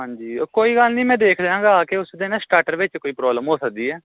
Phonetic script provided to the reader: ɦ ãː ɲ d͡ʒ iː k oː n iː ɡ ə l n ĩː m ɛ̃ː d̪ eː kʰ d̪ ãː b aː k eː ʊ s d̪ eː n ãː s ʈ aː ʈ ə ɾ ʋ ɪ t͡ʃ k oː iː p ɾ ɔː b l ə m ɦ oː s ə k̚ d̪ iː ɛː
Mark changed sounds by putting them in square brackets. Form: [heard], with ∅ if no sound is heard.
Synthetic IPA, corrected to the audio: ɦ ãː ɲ d͡ʒ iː k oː [∅] iː ɡ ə l n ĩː m ɛ̃ː d̪ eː kʰ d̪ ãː [ɡ] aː k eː ʊ s d̪ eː n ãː s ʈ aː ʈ ə ɾ ʋ ɪ t͡ʃ k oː iː p ɾ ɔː b l ə m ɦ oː s ə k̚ d̪ iː ɛː